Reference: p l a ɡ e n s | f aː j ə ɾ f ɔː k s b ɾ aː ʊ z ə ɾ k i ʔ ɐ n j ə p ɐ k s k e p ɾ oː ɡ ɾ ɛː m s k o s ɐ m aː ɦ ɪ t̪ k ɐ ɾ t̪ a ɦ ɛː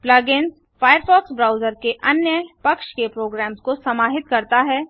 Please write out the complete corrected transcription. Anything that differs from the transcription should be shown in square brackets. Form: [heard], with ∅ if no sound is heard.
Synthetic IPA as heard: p l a ɡ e n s | f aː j ə ɾ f ɔː k s b ɾ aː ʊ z ə ɾ k [e] ʔ ɐ n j ə p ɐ k [ʃ] k e p ɾ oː ɡ ɾ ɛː m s k o s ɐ m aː ɦ ɪ t̪ k ɐ ɾ t̪ a ɦ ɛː